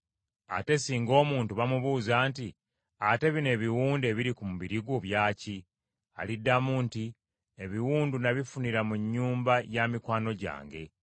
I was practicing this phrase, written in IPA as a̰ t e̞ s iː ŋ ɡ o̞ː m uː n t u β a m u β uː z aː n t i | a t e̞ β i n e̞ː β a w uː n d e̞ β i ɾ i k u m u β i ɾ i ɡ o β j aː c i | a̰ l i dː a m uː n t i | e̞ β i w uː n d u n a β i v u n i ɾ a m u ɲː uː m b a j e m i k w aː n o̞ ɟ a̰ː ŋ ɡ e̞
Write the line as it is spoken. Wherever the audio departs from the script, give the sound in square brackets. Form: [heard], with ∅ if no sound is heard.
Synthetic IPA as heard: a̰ t e̞ s iː ŋ ɡ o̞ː m uː n t u β a m u β uː z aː n t i | a t e̞ β i n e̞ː β [i] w uː n d e̞ β i ɾ i k u m u β i ɾ i ɡ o β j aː c i | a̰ l i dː a m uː n t i | e̞ β i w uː n d u n a β i [f] u n i ɾ a m u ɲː uː m b a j [a] m i k w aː n o̞ ɟ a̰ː ŋ ɡ e̞

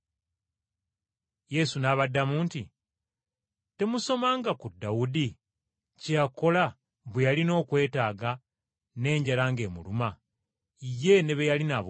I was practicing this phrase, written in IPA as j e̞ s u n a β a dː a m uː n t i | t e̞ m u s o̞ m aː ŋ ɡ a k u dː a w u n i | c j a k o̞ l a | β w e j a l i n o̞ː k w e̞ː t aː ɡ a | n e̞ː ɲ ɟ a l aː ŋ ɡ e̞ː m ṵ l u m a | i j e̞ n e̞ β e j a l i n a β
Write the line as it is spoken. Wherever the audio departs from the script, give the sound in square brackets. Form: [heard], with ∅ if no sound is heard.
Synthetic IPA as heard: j e̞ s u n a β a dː a m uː n t i | t e̞ m u s o̞ m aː ŋ ɡ a k u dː a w u [d] i | c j a k o̞ l a | β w e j a l i n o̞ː k w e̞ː t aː ɡ a | n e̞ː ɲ ɟ a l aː ŋ ɡ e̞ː m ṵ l u m a | i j e̞ n e̞ β e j a l i n a β

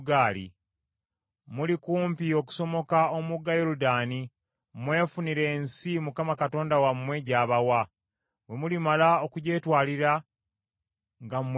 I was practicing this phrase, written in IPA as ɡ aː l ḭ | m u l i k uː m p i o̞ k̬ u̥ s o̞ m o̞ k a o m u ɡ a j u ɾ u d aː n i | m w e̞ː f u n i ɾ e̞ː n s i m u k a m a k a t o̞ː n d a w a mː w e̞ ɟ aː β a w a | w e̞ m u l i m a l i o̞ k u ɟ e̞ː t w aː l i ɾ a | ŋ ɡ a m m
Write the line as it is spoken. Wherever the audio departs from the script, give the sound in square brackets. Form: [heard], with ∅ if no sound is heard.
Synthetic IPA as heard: ɡ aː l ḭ | m u l i k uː m p i o̞ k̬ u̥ s o̞ m o̞ k a o m u ɡ a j [o] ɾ u d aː n i | m w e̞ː f u n i ɾ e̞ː n s i m u k a m a k a t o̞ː n d a w a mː w e̞ ɟ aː β a w a | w e̞ m u l i m a l [a] o̞ k u ɟ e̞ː t w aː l i ɾ a | ŋ ɡ a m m

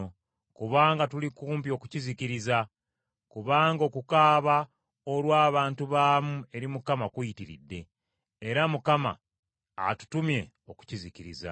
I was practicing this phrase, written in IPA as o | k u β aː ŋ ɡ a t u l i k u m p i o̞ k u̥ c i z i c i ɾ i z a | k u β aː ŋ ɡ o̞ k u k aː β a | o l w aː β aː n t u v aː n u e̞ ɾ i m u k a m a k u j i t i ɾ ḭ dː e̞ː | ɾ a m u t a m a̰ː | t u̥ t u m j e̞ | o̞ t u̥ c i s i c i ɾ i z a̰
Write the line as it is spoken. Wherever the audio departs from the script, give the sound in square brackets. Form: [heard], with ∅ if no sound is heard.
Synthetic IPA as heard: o | k u β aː ŋ ɡ a t u l i k [uː] m p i o̞ k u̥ c i z i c i ɾ i z a | k u β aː ŋ ɡ o̞ k u k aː β a | o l w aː β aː n t u [β] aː [m] u e̞ ɾ i m u k a m a k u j i t i ɾ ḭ dː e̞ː | ɾ a m u [k] a m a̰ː | t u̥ t u m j e̞ | o̞ [k] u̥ c i [z] i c i ɾ i z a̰

